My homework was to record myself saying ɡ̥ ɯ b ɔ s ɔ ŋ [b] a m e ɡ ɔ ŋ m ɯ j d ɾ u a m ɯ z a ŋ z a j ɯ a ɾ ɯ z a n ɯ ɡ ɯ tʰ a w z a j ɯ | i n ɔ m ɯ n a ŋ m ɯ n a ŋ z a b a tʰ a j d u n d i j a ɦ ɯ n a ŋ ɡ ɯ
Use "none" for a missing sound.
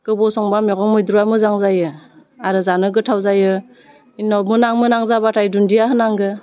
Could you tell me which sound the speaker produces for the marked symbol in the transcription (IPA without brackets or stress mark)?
b